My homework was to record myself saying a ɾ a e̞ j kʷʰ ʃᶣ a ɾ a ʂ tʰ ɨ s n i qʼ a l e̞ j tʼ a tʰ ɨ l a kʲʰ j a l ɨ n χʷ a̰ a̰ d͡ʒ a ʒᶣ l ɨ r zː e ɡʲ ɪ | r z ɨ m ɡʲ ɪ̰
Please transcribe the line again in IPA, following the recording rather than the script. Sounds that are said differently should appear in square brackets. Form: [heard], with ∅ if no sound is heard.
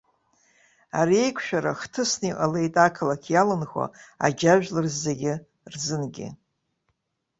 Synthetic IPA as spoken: a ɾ [i] e̞ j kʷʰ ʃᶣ a ɾ a [χ] tʰ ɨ s n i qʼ a l e̞ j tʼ a [kʰ] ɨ l a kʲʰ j a l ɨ n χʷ a̰ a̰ d͡ʒ a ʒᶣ l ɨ r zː e ɡʲ ɪ | r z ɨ [n] ɡʲ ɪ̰